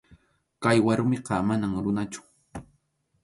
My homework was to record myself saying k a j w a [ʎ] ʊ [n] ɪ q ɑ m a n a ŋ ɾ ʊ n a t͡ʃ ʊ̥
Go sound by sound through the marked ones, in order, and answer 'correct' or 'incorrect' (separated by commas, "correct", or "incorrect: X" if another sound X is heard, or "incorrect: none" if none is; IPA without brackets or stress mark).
incorrect: ɾ, incorrect: m